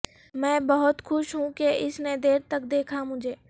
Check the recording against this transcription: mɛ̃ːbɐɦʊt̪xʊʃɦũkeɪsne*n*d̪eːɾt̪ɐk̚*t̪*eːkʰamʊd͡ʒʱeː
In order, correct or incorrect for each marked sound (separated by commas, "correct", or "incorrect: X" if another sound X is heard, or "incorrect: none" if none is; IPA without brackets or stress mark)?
incorrect: none, incorrect: d̪